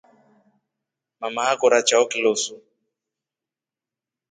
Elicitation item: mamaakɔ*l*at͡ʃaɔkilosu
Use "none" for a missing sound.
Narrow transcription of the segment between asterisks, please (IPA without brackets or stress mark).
ɾ